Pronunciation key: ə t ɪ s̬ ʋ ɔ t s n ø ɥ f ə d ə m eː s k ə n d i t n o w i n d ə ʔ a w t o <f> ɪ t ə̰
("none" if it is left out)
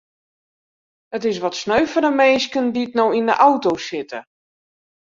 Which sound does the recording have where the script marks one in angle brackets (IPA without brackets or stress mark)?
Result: s